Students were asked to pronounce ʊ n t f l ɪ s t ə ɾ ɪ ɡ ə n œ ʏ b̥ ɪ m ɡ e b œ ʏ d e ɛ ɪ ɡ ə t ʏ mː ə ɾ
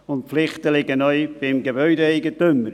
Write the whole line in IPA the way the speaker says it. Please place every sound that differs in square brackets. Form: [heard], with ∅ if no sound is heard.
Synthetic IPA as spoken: ʊ n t f l ɪ [χ] t ə [l] ɪ ɡ ə n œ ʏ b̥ ɪ m ɡ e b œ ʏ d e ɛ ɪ ɡ ə t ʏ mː ə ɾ